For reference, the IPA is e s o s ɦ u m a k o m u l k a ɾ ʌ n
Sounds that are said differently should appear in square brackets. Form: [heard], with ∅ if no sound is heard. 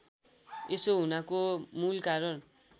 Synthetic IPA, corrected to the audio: e s o [∅] ɦ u [n] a k o m u l k a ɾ ʌ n